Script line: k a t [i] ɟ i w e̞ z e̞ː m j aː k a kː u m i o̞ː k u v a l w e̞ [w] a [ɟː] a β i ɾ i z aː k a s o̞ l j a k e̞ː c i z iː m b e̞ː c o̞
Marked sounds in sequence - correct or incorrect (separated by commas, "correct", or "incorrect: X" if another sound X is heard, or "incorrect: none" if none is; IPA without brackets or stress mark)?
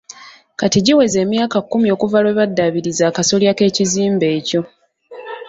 correct, incorrect: β, incorrect: dː